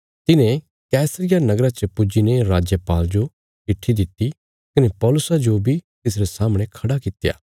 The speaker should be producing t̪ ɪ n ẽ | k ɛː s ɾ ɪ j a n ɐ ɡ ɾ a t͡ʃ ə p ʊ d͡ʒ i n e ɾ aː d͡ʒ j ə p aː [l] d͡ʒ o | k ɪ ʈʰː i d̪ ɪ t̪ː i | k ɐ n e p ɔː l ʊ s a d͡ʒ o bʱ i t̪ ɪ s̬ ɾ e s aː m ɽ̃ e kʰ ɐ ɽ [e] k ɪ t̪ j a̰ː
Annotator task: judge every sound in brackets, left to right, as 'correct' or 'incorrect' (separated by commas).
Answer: correct, incorrect